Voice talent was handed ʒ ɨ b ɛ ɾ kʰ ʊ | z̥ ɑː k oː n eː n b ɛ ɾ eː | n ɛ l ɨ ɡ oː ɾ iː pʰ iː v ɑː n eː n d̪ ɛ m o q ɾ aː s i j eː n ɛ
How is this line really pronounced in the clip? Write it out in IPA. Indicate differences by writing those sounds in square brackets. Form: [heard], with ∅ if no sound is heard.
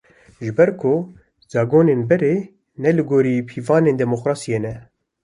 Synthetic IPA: ʒ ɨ b ɛ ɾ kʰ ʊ | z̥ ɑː [ɡ] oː n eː n b ɛ ɾ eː | n ɛ l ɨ ɡ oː ɾ iː pʰ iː v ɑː n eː n d̪ ɛ m o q ɾ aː s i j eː n ɛ